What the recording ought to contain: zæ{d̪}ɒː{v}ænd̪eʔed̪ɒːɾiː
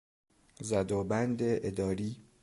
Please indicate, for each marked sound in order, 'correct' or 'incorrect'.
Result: correct, incorrect

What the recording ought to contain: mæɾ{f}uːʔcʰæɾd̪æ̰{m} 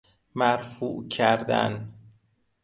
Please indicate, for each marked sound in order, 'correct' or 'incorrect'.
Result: correct, incorrect

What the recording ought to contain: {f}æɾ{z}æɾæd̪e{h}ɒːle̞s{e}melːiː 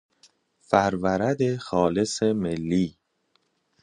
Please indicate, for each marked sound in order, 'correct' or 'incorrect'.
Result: correct, incorrect, incorrect, correct

